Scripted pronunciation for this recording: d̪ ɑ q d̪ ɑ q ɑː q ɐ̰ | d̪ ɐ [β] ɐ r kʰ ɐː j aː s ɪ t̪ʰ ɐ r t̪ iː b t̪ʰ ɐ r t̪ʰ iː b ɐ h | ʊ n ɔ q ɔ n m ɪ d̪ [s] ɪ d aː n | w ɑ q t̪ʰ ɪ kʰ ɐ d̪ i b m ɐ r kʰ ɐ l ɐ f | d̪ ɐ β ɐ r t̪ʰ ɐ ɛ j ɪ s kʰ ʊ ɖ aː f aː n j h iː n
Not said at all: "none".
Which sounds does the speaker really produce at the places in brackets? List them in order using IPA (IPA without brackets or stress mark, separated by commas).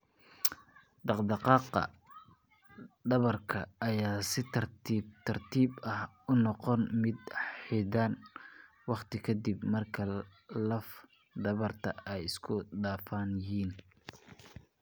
β, ħ